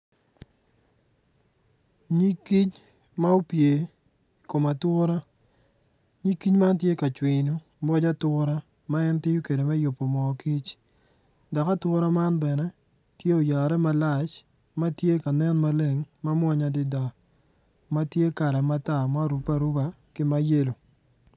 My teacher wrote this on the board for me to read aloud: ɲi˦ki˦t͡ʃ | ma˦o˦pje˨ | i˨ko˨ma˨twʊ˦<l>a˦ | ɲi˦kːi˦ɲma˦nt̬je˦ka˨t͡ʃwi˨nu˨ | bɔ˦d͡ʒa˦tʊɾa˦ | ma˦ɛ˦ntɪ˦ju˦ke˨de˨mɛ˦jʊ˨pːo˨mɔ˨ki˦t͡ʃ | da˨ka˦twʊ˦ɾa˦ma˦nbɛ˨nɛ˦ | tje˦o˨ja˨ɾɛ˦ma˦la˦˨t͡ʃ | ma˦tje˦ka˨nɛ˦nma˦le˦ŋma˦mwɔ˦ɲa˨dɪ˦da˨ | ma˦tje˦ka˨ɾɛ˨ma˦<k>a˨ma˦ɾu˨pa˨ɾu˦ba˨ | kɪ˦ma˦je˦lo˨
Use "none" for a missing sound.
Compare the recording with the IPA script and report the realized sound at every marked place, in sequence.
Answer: ɾ, t

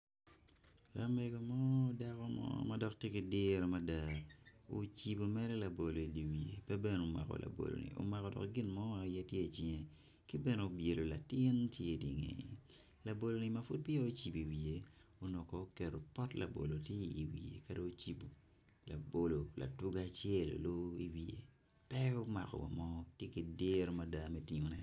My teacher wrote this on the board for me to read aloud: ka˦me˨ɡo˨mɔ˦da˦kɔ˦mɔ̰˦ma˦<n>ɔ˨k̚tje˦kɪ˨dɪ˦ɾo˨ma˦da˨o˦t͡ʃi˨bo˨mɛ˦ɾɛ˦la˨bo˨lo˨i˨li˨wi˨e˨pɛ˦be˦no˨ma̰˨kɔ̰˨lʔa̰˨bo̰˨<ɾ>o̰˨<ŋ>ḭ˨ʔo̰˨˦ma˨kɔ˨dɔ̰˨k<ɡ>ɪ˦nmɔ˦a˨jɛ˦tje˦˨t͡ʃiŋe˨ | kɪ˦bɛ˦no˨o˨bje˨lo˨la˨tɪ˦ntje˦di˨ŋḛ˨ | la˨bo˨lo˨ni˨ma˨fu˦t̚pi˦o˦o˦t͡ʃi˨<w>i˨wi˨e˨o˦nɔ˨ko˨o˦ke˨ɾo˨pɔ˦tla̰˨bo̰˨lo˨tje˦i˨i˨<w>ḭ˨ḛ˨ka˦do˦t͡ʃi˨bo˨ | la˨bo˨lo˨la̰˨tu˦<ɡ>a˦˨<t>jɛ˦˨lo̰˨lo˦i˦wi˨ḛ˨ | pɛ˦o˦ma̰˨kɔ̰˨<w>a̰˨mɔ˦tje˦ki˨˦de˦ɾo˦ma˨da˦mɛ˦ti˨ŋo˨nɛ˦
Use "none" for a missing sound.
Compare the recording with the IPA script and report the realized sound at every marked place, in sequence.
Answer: d, l, n, ɡ, b, w, ɡ, t͡ʃ, w

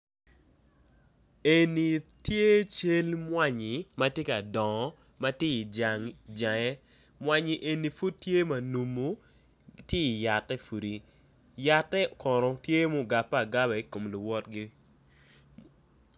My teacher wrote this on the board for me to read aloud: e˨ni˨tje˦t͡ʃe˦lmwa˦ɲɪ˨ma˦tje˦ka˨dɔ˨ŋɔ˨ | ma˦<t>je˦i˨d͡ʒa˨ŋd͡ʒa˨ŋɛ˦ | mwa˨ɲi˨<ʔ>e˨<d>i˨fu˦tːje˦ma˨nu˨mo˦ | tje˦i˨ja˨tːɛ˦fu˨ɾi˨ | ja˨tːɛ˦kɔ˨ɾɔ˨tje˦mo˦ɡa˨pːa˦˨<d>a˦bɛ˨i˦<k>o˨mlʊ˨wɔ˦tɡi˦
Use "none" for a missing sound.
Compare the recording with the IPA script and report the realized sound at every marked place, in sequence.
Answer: t, ʔ, n, ɡ, k

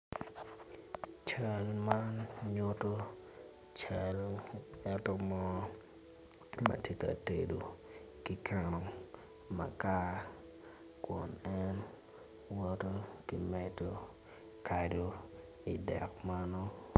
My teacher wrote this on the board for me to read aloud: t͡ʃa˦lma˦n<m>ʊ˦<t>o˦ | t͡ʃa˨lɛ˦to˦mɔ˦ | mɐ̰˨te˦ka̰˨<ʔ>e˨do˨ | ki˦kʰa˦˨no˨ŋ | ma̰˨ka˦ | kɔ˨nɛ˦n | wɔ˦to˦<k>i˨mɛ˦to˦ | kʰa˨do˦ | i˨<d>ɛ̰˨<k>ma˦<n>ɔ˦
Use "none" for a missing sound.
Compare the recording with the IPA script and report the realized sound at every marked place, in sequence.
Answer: ɲ, t, t, k, d, k, n

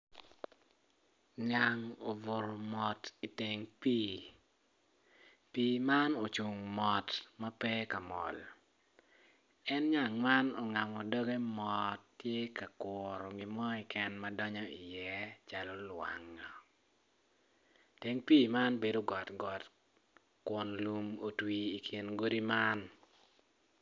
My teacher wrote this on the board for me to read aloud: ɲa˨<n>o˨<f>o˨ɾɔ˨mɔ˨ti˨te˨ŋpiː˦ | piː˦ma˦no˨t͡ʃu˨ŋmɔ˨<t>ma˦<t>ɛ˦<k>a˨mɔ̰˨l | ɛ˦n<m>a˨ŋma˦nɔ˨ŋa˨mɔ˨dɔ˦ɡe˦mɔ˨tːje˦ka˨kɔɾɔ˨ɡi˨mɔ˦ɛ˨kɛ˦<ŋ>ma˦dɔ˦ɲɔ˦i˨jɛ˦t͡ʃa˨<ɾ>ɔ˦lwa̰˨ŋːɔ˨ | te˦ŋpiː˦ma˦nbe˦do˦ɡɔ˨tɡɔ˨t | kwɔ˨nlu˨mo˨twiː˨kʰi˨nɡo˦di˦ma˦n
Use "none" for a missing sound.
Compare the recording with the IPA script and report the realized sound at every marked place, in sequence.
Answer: ŋ, v, t, p, k, ɲ, n, l

